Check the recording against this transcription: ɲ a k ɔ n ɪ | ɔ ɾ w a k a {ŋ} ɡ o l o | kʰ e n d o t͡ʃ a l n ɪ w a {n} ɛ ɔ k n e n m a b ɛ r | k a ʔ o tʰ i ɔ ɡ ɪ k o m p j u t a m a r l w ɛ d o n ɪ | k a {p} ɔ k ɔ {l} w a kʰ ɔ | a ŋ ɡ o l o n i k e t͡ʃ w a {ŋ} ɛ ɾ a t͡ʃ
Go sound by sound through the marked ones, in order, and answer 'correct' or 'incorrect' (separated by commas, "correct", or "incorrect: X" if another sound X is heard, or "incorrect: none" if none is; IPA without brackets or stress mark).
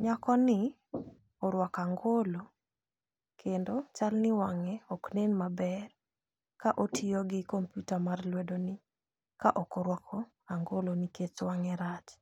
correct, incorrect: ŋ, incorrect: ʔ, incorrect: ɾ, correct